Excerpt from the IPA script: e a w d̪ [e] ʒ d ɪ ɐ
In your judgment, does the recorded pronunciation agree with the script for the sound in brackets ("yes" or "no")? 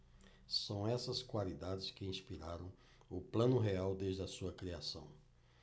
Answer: yes